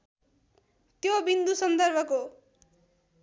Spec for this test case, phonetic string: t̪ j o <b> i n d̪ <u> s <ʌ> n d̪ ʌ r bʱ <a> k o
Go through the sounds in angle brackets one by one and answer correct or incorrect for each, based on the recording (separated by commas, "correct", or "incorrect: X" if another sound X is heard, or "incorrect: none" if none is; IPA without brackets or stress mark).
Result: correct, correct, correct, incorrect: ʌ